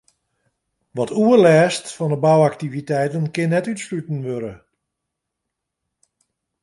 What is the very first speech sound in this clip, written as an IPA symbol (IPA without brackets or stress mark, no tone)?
ʋ